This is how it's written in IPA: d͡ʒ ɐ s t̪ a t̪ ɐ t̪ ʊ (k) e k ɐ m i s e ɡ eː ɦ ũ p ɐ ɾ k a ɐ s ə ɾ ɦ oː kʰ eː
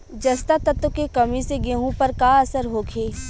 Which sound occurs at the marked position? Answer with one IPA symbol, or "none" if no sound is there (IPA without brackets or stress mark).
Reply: k